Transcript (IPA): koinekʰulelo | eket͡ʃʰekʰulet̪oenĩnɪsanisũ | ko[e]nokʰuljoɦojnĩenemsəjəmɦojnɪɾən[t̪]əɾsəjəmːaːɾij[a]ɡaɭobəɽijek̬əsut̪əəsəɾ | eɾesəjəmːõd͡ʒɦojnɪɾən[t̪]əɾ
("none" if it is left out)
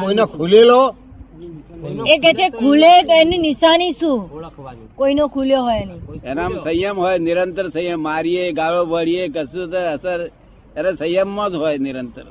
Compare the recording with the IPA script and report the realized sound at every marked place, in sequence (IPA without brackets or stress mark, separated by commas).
i, t̪, e, t̪